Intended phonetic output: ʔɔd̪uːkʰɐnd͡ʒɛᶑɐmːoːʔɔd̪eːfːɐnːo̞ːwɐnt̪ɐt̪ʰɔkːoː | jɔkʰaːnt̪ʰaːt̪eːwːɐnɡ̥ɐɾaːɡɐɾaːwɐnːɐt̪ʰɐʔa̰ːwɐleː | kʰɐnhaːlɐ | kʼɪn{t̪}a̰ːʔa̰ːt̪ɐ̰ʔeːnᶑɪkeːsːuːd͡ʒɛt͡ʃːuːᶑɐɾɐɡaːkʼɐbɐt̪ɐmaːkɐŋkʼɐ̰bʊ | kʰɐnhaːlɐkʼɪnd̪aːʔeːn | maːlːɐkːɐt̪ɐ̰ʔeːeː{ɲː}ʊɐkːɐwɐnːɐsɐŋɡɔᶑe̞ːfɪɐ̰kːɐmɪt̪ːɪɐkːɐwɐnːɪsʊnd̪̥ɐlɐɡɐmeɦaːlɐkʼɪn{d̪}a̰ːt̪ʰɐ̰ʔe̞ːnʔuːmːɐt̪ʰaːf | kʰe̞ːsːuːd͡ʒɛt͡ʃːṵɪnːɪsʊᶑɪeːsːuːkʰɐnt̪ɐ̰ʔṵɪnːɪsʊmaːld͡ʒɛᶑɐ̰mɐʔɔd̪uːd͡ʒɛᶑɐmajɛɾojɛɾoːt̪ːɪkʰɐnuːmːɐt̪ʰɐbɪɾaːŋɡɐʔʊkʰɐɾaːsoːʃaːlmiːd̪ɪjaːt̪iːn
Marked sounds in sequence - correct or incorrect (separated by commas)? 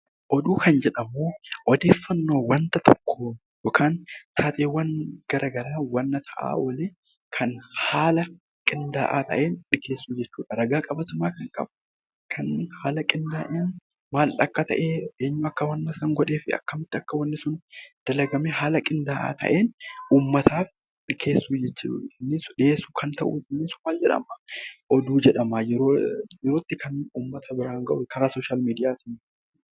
incorrect, correct, correct